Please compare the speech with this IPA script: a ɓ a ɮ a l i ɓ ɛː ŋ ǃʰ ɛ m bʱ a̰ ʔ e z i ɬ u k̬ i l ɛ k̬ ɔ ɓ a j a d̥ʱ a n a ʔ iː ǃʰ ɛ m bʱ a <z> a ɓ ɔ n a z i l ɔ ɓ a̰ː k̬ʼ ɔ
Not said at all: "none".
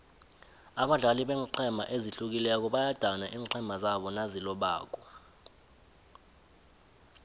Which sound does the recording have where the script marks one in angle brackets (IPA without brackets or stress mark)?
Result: z